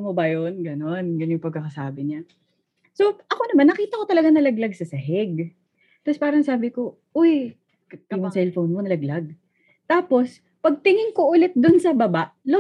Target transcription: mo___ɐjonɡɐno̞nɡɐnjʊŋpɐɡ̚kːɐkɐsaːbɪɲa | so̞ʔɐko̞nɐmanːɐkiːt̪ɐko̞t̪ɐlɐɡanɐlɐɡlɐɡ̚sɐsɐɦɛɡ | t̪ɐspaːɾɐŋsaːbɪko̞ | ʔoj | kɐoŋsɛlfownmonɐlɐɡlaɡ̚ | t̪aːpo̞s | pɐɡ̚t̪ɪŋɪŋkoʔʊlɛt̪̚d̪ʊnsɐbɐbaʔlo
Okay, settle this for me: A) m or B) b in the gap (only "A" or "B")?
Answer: B